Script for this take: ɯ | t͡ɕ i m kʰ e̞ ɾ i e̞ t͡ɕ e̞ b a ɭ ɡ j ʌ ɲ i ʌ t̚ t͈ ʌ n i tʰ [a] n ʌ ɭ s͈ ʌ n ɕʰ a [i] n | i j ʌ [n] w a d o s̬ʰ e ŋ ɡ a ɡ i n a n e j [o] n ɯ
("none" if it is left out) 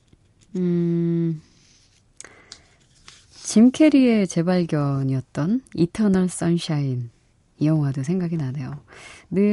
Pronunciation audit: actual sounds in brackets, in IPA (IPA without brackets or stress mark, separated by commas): ʌ, i, ŋ, o